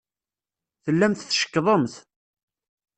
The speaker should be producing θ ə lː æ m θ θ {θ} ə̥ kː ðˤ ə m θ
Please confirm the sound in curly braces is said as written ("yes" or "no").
no